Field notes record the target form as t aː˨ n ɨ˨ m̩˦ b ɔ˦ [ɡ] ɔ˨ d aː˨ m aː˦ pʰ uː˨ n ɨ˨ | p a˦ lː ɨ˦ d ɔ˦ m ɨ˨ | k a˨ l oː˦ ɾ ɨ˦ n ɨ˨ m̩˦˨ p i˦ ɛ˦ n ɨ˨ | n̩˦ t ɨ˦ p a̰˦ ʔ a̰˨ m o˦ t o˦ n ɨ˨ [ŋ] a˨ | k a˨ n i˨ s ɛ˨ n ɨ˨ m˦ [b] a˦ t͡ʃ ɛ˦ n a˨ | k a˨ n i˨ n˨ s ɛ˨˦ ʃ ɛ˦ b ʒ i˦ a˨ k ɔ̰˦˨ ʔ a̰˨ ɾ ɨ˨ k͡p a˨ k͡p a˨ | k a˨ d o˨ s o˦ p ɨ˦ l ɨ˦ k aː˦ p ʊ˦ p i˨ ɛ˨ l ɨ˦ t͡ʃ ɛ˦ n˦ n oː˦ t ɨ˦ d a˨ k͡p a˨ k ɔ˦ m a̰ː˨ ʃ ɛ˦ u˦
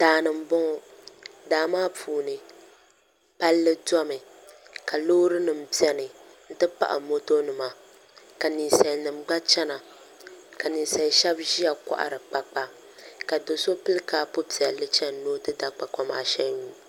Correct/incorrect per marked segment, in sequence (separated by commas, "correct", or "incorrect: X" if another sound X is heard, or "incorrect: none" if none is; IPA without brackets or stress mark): incorrect: ŋ, incorrect: m, incorrect: ɡ͡b